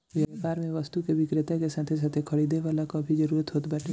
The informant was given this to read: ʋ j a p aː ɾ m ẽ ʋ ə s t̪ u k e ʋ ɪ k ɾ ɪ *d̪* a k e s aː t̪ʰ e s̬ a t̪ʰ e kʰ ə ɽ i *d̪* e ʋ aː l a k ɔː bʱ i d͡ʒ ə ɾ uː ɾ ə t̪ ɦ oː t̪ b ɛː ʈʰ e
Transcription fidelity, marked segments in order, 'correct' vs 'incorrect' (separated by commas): incorrect, correct